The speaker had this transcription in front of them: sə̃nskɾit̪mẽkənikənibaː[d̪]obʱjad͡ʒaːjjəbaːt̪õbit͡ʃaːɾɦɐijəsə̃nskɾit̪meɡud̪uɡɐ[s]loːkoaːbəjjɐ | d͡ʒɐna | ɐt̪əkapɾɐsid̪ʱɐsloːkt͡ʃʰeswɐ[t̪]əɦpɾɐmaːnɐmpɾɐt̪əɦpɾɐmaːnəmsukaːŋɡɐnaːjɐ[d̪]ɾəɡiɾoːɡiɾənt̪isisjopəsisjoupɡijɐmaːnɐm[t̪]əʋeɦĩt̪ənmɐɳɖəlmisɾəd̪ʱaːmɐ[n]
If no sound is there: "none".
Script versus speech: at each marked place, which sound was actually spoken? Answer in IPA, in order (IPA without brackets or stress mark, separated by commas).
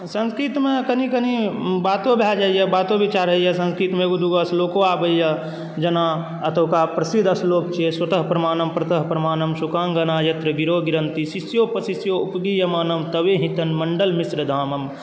t̪, s, t̪, t̪, t̪, m